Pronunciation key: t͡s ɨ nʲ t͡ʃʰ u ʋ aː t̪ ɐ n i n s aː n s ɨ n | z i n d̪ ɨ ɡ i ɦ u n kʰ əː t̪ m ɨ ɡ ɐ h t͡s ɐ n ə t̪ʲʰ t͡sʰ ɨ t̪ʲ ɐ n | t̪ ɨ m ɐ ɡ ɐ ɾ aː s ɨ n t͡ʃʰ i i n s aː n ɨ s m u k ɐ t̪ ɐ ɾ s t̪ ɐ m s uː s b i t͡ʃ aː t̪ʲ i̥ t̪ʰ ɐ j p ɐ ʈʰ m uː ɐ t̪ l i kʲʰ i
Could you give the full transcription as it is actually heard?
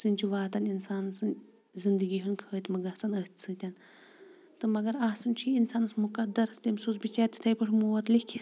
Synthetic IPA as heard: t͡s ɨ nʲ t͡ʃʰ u ʋ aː t̪ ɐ n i n s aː n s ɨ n | z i n d̪ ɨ ɡ i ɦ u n kʰ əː t̪ m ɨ ɡ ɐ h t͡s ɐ n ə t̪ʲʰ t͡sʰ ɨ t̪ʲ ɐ n | t̪ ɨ m ɐ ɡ ɐ ɾ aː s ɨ n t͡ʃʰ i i n s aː n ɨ s m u k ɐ d̪ ɐ ɾ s t̪ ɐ m s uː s b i t͡ʃ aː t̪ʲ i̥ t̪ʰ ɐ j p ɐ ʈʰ m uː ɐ t̪ l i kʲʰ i

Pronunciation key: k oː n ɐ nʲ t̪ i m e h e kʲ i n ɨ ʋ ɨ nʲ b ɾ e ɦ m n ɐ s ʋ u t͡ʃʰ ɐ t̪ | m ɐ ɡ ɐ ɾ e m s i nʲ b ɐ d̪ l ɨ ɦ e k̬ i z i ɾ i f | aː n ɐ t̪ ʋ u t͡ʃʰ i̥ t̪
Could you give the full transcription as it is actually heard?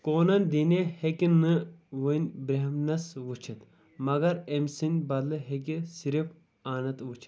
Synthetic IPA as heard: k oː n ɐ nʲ d̪ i n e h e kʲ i n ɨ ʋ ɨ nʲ b ɾ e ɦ m n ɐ s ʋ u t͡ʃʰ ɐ t̪ | m ɐ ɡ ɐ ɾ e m s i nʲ b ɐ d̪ l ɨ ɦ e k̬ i s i ɾ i f | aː n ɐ t̪ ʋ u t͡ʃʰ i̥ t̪

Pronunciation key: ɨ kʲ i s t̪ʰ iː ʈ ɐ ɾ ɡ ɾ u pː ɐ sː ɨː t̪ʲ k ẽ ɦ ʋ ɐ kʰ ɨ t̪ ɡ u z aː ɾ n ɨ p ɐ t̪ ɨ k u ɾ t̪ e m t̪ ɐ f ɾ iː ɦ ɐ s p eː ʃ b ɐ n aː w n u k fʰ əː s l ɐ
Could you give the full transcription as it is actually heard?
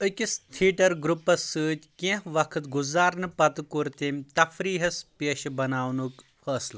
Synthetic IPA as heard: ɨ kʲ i s t̪ʰ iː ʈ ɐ ɾ ɡ ɾ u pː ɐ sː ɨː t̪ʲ k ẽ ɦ ʋ ɐ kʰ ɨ t̪ ɡ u z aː ɾ n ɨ p ɐ t̪ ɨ k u ɾ t̪ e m t̪ ɐ f ɾ iː ɦ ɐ s p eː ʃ b ɐ n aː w n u k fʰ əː s l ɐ

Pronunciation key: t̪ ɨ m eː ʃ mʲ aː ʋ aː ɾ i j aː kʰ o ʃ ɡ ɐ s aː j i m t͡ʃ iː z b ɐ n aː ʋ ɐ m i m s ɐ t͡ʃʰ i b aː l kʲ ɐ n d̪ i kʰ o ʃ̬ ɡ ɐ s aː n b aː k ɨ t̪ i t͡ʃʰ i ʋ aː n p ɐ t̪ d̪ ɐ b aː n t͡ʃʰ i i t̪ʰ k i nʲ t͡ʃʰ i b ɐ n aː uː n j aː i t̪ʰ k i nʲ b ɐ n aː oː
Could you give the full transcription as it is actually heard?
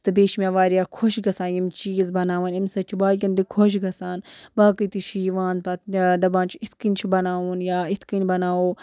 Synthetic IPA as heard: t̪ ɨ b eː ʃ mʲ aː ʋ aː ɾ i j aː kʰ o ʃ ɡ ɐ s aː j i m t͡ʃ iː z b ɐ n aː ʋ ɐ n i m s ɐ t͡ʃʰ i b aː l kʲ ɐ n d̪ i kʰ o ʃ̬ ɡ ɐ s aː n b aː k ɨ t̪ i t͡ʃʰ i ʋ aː n p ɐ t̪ d̪ ɐ b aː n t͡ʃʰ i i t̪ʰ k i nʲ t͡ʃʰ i b ɐ n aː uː n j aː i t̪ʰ k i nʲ b ɐ n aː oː

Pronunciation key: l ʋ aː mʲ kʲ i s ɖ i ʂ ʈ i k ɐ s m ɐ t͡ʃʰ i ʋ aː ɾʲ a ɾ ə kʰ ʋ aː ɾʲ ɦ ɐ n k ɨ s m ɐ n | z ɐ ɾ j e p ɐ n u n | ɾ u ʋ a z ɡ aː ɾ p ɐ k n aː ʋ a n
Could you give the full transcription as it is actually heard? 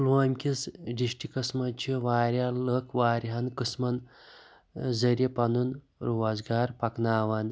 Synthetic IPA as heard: l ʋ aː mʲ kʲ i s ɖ i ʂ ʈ i k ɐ s m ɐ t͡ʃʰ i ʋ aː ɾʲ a l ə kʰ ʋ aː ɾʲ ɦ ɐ n k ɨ s m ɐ n | z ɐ ɾ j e p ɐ n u n | ɾ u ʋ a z ɡ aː ɾ p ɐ k n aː ʋ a n

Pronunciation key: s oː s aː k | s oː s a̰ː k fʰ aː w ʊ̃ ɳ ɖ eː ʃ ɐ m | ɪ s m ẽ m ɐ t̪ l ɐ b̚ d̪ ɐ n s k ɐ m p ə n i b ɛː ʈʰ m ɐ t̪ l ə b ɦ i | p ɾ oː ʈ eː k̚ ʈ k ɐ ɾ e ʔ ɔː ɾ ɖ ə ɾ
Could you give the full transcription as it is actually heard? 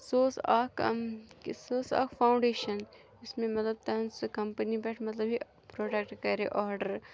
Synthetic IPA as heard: s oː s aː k | s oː s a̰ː k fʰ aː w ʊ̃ ɳ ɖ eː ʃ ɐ n | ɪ s m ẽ m ɐ t̪ l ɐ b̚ t̪ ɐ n s k ɐ m p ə n i b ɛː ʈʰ m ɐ t̪ l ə b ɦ i | p ɾ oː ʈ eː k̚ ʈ k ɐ ɾ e ʔ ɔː ɾ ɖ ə ɾ

